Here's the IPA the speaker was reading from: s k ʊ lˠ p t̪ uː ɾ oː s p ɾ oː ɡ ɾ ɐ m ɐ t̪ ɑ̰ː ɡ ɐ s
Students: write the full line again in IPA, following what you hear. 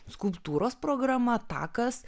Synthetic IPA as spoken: s k ʊ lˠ p t̪ uː ɾ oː s p ɾ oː ɡ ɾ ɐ m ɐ t̪ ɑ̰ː k ɐ s